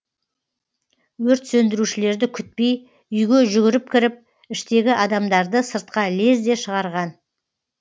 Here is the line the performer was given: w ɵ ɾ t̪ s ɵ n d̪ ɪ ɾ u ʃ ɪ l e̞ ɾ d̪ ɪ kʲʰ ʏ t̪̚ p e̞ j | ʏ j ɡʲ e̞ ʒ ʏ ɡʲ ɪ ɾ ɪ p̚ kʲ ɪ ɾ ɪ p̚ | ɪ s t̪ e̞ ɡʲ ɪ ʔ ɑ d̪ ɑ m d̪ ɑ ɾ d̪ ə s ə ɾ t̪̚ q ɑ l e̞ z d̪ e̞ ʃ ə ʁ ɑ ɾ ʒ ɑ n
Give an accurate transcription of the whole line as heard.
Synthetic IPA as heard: w ɵ ɾ t̪ s ɵ n d̪ ɪ ɾ u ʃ ɪ l e̞ ɾ d̪ ɪ kʲʰ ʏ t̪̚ p e̞ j | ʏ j ɡʲ e̞ ʒ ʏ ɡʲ ɪ ɾ ɪ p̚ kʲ ɪ ɾ ɪ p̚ | ɪ ʃ t̪ e̞ ɡʲ ɪ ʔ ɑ d̪ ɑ m d̪ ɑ ɾ d̪ ə s ə ɾ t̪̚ q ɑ l e̞ z d̪ e̞ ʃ ə ʁ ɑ ɾ ʁ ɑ n